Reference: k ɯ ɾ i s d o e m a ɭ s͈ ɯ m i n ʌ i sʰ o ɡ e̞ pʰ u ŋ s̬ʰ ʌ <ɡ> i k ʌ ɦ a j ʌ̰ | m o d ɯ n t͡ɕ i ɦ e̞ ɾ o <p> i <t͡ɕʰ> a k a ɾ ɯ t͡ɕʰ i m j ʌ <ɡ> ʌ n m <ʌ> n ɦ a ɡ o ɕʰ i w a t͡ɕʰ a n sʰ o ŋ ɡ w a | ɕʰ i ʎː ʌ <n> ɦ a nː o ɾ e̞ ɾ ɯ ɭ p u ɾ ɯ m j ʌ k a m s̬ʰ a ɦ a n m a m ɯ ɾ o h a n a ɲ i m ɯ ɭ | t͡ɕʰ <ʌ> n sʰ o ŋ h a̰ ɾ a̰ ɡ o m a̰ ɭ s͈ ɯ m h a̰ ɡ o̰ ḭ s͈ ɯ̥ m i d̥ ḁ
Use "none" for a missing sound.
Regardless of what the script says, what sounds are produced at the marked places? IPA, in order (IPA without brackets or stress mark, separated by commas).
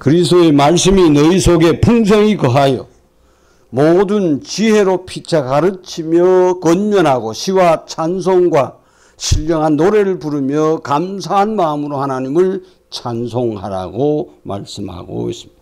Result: ŋ, pʰ, t͡ɕʰ, k, ʌ, ŋ, a